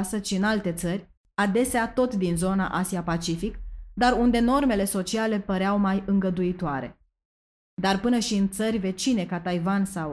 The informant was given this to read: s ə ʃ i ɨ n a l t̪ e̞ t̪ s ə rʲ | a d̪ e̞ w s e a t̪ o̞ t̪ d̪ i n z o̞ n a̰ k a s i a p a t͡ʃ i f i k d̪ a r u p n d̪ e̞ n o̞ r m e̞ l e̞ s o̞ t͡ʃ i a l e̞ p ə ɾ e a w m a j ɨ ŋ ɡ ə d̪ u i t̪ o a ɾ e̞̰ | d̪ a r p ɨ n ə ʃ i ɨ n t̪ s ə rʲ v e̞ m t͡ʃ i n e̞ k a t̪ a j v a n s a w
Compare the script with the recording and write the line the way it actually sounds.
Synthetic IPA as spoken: s ə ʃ i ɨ n a l t̪ e̞ t̪ s ə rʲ | a d̪ e̞ s e a t̪ o̞ t̪ d̪ i n z o̞ n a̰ ʔ a s i a p a t͡ʃ i f i k d̪ a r u n d̪ e̞ n o̞ r m e̞ l e̞ s o̞ t͡ʃ i a l e̞ p ə ɾ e a w m a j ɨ ŋ ɡ ə d̪ u i t̪ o a ɾ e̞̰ | d̪ a r p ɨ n ə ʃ i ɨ n t̪ s ə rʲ v e̞ t͡ʃ i n e̞ k a t̪ a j v a n s a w